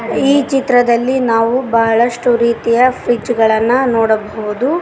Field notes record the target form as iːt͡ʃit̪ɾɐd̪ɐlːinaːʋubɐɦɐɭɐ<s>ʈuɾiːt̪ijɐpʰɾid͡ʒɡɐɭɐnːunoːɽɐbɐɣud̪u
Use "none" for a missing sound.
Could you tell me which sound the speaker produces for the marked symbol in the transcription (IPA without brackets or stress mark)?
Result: ʂ